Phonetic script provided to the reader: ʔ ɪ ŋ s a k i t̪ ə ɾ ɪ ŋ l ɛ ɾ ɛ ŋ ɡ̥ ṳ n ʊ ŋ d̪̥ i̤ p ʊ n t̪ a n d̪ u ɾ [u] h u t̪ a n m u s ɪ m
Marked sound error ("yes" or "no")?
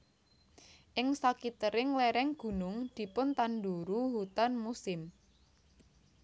no